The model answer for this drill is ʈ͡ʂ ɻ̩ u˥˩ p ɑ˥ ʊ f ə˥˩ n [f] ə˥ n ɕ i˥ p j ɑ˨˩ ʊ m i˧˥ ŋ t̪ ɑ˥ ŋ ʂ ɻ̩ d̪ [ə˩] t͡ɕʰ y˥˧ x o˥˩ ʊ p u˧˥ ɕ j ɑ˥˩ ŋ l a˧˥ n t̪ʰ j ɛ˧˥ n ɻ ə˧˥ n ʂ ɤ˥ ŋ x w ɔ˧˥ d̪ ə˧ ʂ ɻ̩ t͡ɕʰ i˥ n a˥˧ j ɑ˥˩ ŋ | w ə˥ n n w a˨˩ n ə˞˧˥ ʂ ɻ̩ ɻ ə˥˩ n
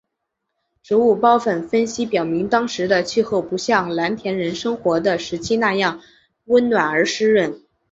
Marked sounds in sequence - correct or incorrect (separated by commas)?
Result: correct, incorrect